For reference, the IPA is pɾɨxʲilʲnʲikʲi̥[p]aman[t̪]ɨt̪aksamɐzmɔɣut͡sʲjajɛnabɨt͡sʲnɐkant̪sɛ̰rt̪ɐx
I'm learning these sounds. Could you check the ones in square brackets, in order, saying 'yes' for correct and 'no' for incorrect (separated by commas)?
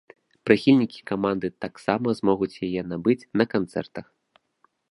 no, no